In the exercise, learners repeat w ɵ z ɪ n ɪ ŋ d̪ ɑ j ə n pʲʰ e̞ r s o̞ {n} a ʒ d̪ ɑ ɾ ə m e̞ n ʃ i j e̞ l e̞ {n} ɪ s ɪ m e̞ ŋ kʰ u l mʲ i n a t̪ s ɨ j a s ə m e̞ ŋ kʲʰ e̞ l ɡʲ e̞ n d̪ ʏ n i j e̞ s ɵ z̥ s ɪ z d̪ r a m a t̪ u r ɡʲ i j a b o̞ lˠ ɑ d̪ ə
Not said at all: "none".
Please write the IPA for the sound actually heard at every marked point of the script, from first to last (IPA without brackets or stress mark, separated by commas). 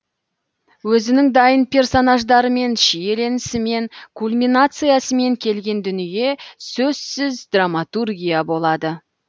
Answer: n, n